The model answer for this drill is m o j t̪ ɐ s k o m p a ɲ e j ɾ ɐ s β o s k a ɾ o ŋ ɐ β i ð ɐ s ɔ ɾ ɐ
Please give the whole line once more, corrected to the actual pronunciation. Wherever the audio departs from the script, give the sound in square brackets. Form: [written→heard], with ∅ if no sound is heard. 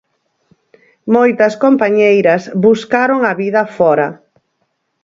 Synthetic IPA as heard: m o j t̪ ɐ s k o m p a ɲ e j ɾ ɐ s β [o→u] s k a ɾ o ŋ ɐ β i ð ɐ [s→f] ɔ ɾ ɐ